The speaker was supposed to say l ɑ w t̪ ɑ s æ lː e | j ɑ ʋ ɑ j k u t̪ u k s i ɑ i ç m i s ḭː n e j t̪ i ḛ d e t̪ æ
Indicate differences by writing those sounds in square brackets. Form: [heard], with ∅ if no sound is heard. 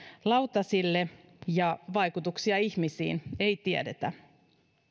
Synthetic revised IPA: l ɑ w t̪ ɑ s [i] lː e | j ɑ ʋ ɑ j k u t̪ u k s i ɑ i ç m i s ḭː n e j t̪ i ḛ d e t̪ æ